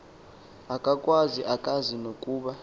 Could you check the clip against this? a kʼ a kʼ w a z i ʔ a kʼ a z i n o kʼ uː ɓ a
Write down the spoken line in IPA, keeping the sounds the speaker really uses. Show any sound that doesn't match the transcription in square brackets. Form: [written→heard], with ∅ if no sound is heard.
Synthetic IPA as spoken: a kʼ a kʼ w a z i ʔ a kʼ a z i n o kʼ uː ɓ a